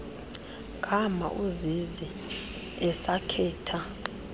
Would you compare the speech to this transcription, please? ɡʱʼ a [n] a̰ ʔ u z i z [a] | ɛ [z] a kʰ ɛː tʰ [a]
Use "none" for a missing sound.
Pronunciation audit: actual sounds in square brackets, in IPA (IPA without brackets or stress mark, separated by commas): m, i, s, a